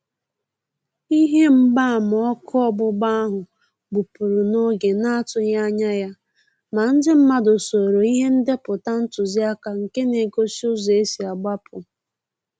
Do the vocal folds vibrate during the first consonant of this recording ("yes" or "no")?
yes